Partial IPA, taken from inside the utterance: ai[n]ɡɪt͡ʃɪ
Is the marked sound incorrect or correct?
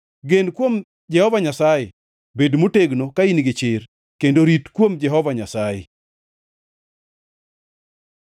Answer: correct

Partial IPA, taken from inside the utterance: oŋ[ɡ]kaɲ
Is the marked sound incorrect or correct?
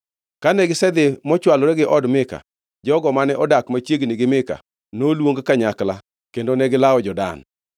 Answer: correct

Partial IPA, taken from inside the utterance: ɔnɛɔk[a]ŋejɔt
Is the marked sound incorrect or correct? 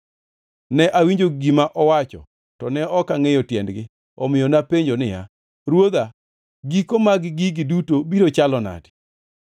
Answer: correct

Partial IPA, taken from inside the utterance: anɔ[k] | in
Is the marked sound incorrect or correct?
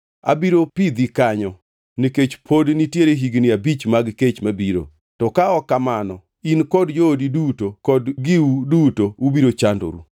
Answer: incorrect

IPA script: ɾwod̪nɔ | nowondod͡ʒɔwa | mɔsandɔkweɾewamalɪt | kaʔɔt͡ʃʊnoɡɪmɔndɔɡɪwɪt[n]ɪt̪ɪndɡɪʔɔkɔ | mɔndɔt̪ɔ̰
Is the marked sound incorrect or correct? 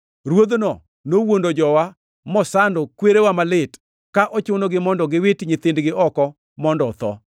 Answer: incorrect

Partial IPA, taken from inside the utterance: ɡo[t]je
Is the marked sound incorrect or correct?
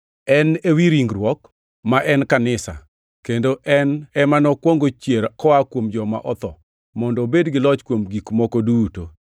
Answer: incorrect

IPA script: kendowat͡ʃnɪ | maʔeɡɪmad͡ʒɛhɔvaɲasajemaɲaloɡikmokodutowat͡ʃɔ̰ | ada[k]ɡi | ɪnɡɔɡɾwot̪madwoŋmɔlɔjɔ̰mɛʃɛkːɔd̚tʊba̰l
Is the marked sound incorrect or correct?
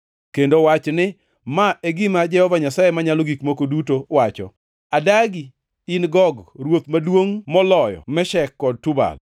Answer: incorrect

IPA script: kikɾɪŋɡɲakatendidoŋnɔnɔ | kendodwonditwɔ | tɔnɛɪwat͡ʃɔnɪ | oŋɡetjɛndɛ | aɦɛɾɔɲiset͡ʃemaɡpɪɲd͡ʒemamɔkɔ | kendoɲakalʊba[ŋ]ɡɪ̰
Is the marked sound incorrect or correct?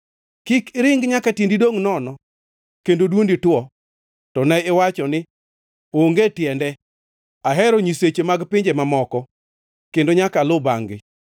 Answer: correct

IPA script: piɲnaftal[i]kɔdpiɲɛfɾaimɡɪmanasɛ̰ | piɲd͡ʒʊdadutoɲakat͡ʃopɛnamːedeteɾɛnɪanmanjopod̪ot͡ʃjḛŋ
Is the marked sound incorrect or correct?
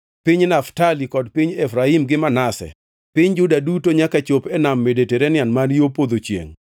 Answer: correct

